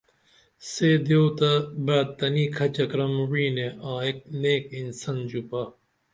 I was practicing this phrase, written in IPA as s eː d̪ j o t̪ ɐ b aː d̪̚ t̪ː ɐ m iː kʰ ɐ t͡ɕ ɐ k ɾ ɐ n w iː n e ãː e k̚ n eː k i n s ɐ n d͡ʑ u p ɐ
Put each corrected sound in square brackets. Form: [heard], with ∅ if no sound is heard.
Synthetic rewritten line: s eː d̪ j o t̪ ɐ b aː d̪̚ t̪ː ɐ [n] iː kʰ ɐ t͡ɕ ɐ k ɾ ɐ [m] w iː n e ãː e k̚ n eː k i n s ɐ n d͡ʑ u p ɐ